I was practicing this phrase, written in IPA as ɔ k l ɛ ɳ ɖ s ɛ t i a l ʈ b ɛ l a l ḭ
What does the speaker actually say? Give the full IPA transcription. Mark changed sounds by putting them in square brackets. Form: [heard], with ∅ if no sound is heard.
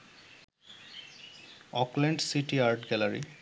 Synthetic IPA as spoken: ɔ k l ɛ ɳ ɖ s [i] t i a [ɹ] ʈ [ɡ] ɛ l a [ɹ] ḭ

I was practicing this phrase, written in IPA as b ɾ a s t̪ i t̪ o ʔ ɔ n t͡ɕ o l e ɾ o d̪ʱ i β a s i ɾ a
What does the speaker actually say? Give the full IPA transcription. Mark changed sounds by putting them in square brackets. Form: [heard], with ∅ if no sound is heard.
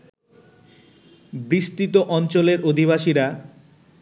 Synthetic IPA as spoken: b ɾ [i] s t̪ i t̪ o ʔ ɔ n t͡ɕ o l e ɾ o d̪ʱ i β a [ʃ] i ɾ a

